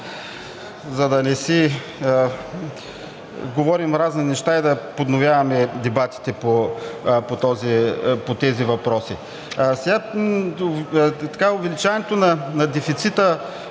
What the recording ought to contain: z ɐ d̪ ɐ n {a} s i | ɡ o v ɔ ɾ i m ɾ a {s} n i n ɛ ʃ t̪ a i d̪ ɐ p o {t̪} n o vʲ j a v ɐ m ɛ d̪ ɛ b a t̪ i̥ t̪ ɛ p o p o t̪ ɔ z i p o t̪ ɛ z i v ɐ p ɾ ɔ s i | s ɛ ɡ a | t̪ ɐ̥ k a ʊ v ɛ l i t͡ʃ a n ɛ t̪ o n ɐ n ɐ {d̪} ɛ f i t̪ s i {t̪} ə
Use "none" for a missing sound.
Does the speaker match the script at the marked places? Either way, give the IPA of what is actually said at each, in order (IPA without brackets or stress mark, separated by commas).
ɛ, z, d̪, d̪, t̪